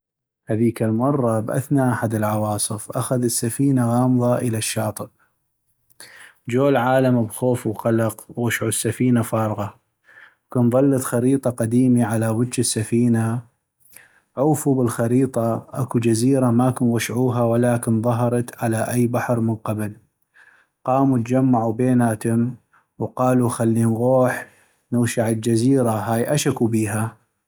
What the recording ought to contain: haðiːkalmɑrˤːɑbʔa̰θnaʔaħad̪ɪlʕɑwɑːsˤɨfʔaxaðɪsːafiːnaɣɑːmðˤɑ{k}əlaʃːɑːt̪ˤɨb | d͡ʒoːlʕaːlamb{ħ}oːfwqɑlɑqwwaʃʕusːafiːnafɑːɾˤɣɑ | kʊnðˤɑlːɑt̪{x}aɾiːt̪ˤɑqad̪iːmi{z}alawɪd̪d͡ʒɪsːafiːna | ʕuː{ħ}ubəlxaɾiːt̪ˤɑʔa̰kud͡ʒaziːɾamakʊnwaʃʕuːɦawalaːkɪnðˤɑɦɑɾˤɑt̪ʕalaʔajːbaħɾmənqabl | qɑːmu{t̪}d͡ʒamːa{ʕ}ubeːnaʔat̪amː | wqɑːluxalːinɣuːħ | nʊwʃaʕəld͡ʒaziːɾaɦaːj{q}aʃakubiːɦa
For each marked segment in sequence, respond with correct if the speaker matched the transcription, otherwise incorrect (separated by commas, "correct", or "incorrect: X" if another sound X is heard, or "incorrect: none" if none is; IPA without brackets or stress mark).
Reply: incorrect: ʔ, incorrect: x, correct, incorrect: ʕ, incorrect: f, correct, correct, incorrect: ʔ